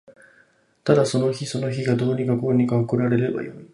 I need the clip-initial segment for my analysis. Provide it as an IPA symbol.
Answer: t̪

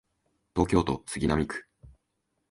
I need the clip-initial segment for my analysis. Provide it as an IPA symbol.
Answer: t̪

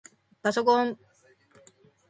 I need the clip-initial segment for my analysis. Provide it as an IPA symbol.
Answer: p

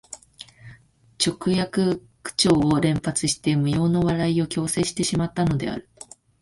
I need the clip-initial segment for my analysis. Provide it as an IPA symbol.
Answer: t͡ɕ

